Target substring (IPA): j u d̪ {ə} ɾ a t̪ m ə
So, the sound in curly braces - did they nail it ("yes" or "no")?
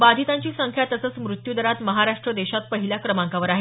yes